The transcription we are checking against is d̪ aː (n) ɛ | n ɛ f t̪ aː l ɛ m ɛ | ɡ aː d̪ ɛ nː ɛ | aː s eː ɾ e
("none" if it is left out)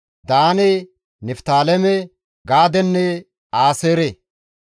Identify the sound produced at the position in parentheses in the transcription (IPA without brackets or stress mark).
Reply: n